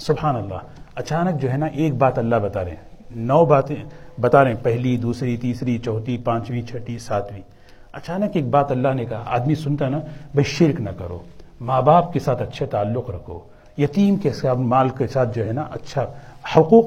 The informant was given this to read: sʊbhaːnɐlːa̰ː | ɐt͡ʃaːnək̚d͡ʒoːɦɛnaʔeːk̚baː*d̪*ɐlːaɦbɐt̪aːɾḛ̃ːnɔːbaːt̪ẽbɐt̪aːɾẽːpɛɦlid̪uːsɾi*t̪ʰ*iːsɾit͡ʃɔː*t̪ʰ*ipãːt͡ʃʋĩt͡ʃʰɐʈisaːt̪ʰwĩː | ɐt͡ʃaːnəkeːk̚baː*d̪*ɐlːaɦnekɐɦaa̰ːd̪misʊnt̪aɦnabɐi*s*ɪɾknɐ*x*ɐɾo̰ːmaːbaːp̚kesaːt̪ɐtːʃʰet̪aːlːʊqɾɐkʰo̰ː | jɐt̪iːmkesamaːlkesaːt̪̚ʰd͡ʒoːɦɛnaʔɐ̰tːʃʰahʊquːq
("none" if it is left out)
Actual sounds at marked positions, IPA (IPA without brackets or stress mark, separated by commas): t̪, t̪, t̪, t̪, ʃ, k